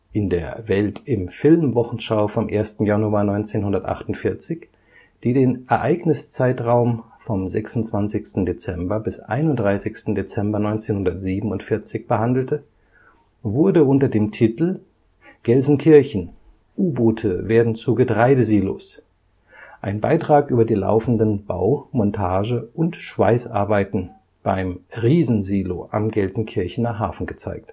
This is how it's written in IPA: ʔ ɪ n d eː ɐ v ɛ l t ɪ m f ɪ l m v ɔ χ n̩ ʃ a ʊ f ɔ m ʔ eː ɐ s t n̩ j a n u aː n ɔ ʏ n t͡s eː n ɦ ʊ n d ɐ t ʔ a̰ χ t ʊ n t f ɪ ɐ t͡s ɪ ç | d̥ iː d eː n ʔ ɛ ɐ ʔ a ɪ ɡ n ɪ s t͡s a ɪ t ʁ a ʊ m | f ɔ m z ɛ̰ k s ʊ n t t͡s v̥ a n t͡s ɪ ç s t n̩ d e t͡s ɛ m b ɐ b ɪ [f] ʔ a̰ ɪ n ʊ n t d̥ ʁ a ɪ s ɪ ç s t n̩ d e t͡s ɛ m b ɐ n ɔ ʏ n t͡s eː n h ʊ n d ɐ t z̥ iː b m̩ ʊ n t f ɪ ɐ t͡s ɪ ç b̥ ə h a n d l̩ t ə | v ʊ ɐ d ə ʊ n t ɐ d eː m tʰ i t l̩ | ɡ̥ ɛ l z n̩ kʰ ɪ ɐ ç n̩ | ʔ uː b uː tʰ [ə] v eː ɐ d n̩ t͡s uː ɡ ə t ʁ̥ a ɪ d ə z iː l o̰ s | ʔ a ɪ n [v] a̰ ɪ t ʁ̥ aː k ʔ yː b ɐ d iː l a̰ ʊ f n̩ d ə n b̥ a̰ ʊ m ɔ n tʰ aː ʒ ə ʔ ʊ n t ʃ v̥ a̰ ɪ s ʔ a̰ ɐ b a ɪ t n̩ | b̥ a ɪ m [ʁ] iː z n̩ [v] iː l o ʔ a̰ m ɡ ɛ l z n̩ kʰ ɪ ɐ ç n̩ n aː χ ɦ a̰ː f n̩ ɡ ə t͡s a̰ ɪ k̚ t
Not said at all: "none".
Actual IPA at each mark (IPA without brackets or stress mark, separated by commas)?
s, ə, b, ʁ, z